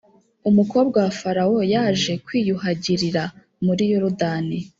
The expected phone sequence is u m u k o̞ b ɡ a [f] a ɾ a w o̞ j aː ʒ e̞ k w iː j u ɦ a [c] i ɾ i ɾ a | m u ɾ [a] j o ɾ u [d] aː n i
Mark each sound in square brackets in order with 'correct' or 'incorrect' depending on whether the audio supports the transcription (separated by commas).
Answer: correct, incorrect, incorrect, correct